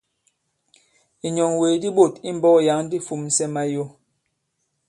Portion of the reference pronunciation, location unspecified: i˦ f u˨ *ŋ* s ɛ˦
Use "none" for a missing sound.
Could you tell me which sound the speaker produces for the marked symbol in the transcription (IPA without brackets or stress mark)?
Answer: m